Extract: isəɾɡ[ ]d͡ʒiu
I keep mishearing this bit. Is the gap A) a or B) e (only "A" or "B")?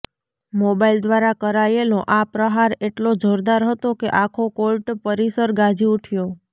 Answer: A